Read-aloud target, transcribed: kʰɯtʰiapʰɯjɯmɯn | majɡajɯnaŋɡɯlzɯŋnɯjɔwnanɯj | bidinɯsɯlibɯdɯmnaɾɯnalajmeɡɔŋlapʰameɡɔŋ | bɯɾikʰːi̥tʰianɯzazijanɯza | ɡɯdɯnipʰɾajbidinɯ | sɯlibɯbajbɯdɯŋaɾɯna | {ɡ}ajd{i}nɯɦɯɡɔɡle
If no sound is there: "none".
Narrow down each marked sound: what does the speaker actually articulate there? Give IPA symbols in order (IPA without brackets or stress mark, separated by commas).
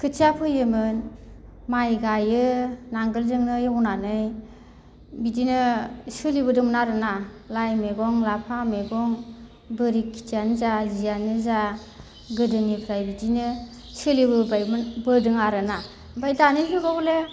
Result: b, a